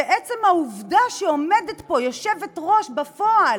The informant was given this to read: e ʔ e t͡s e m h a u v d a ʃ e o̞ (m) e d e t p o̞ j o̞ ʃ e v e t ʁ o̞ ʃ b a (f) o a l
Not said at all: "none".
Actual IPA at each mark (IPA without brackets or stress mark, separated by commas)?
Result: m, f